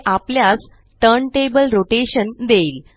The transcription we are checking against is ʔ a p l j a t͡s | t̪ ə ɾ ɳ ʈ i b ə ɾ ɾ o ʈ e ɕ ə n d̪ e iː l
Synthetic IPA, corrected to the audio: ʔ a p l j a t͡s | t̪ ə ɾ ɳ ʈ e b ə l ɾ o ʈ e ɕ ə n d̪ e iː l